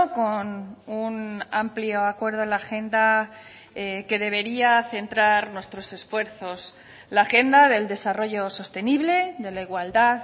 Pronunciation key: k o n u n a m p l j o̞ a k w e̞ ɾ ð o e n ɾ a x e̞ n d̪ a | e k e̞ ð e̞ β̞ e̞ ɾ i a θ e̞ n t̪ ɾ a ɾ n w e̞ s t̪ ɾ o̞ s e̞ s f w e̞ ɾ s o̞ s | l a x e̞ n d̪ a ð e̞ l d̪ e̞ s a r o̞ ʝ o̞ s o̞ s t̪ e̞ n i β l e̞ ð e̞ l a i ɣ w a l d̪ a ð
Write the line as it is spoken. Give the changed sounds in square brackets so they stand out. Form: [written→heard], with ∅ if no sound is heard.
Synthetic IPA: k o n u n a m p l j o̞ a k w e̞ ɾ ð o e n [ɾ→l] a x e̞ n d̪ a | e k e̞ ð e̞ β̞ e̞ ɾ i a θ e̞ n t̪ ɾ a ɾ n w e̞ s t̪ ɾ o̞ s e̞ s f w e̞ ɾ [s→θ] o̞ s | l a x e̞ n d̪ a ð e̞ l d̪ e̞ s a r o̞ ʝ o̞ s o̞ s t̪ e̞ n i β l e̞ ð e̞ l a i ɣ w a l d̪ a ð